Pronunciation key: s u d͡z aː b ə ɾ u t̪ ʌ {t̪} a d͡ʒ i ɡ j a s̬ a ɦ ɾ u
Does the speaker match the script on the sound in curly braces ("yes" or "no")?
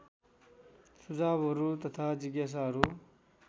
no